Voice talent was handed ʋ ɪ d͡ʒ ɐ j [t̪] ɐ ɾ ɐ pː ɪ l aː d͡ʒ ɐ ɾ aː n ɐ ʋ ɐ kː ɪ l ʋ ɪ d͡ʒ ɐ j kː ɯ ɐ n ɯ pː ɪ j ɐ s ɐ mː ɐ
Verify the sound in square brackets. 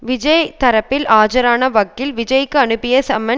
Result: correct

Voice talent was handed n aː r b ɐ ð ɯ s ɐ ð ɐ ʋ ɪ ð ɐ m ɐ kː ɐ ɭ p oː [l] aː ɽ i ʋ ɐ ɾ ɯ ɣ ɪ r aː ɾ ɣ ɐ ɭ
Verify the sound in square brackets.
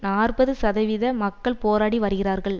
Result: incorrect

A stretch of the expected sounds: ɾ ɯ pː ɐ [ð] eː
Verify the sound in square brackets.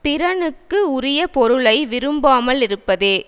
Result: correct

